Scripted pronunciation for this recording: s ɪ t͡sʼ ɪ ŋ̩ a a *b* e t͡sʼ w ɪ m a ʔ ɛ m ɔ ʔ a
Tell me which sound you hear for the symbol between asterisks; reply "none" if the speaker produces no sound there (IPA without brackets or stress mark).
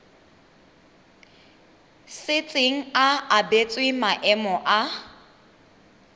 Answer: b